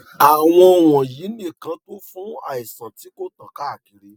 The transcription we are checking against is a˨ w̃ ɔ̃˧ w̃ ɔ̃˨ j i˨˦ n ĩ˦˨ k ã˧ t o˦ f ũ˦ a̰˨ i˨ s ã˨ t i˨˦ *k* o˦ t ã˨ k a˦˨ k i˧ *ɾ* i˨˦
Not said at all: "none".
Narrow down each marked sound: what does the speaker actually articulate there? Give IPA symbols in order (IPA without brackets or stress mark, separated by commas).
k, ɾ